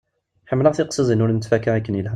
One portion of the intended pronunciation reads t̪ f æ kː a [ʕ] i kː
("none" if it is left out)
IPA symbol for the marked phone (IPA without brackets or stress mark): ʕ